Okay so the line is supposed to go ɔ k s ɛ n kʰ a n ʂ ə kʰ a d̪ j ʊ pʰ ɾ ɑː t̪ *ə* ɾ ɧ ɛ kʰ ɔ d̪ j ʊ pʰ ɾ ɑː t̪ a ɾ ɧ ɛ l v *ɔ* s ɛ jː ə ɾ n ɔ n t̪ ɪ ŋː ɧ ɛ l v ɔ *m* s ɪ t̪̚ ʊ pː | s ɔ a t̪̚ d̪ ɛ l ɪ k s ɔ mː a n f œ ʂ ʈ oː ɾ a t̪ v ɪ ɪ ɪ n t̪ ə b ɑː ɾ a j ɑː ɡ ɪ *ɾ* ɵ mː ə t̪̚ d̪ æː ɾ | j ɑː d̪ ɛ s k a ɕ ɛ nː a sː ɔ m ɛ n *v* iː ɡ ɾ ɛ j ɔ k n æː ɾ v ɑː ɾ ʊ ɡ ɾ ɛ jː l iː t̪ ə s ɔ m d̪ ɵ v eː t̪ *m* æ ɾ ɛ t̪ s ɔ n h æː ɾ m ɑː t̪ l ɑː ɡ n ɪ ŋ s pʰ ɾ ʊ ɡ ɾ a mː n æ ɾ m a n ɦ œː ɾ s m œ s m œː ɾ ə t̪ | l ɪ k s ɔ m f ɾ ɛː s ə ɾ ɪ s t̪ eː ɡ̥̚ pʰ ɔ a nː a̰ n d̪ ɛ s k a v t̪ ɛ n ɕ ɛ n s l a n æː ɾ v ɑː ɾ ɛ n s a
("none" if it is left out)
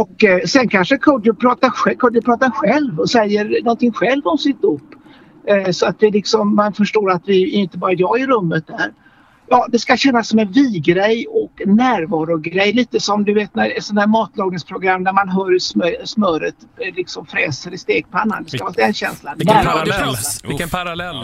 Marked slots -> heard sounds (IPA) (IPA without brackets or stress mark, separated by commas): a, ɔ, m, ɾ, v, n